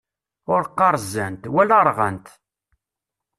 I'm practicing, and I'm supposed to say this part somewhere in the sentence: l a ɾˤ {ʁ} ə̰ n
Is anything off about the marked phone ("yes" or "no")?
no